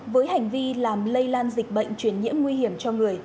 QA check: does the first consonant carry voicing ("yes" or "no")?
yes